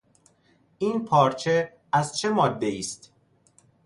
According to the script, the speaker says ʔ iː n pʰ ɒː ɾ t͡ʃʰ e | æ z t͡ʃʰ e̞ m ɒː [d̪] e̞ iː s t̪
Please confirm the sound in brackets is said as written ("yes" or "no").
no